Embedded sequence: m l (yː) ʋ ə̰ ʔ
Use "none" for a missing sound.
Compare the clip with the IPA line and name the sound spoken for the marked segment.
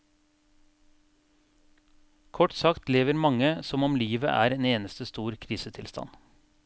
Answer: iː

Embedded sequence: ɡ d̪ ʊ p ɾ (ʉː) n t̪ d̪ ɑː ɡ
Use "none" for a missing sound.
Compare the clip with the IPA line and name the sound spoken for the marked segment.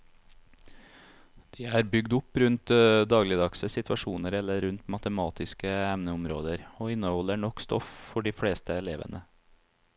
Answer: ʉ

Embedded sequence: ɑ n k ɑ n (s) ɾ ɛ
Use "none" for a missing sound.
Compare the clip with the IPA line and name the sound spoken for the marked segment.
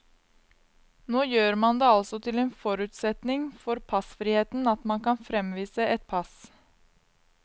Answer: f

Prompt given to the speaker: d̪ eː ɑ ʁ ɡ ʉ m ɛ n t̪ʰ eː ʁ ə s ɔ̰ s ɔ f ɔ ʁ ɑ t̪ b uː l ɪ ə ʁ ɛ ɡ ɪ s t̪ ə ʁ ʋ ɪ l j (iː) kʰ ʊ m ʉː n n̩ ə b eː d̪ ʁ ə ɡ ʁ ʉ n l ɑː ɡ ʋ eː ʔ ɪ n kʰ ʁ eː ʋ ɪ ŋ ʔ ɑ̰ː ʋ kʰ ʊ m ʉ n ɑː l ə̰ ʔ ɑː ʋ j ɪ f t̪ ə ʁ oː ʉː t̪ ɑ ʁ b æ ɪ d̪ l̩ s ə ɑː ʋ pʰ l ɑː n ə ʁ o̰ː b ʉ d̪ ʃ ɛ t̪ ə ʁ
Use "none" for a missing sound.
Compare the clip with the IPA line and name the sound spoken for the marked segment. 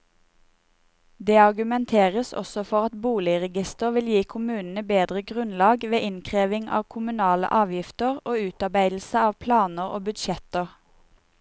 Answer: iː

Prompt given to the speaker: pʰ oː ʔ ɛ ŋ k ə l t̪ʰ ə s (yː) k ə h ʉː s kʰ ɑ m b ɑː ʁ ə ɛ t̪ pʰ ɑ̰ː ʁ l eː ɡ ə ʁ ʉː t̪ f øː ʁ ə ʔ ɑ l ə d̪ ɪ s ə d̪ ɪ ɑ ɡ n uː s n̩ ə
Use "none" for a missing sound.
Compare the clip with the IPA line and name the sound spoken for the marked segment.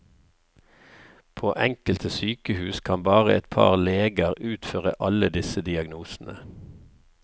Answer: yː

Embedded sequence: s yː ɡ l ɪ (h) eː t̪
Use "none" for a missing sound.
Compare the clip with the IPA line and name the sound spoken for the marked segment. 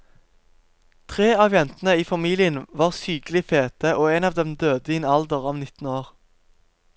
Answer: f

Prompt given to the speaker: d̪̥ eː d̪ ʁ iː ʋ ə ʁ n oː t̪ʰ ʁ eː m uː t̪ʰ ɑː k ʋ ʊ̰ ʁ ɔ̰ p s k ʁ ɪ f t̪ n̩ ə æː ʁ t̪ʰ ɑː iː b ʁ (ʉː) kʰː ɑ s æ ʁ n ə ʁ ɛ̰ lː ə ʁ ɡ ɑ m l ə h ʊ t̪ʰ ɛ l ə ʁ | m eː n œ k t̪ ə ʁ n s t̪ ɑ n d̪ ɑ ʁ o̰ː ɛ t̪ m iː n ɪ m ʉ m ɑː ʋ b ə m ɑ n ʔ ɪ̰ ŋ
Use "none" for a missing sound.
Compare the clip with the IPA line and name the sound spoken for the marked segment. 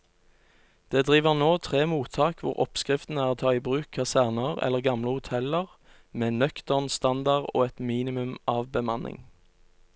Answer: ʉː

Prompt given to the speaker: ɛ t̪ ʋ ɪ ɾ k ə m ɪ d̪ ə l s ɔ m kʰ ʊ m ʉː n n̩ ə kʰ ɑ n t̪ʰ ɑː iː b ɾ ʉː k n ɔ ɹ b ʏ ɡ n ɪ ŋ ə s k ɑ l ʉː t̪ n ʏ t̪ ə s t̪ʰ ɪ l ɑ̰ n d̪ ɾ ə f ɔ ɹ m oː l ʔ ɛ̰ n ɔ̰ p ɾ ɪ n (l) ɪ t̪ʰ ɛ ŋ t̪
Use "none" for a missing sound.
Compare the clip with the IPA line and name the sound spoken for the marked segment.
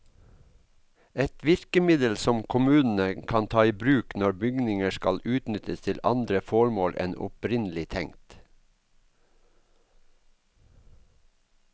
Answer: l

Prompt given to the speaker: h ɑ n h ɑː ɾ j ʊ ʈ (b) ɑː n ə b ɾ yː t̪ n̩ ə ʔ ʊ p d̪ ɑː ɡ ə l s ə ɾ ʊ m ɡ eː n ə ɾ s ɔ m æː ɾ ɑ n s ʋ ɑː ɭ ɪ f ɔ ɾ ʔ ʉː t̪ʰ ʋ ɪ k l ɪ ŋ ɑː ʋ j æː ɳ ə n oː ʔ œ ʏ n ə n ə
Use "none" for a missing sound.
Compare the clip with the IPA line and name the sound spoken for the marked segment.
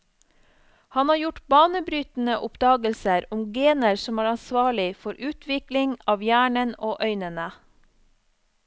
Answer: b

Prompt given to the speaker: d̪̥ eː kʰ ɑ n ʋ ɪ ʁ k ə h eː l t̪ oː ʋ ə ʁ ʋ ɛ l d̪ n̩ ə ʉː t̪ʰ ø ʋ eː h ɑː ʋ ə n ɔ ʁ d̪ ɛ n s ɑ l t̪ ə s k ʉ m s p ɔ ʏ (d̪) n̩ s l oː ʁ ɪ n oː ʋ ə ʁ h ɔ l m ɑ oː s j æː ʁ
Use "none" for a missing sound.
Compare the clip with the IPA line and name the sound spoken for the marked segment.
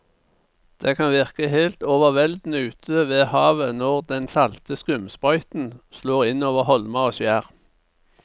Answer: t̪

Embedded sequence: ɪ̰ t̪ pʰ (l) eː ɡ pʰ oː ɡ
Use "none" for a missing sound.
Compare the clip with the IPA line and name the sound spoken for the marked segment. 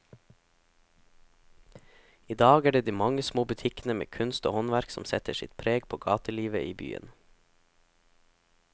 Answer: ɾ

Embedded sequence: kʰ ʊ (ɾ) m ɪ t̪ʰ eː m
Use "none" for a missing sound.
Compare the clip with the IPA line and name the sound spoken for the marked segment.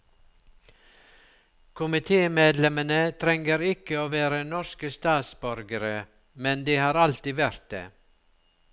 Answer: none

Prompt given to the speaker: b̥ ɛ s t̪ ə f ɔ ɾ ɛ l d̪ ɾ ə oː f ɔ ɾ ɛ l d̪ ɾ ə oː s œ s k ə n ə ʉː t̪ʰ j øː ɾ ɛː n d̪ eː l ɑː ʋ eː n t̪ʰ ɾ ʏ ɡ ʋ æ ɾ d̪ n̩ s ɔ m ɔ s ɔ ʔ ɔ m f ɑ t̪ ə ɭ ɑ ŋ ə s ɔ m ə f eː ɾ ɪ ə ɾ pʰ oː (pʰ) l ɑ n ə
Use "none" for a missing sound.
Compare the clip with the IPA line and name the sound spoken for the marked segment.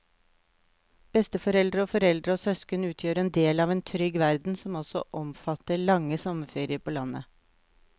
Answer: none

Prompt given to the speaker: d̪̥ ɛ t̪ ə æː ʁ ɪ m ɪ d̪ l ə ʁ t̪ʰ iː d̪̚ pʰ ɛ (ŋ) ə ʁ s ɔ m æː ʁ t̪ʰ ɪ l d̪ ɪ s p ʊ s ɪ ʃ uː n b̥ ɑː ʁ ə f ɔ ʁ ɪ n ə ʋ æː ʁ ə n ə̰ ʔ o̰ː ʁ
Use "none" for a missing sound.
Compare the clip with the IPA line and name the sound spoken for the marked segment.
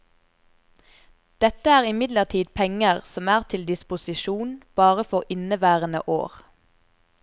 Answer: ŋ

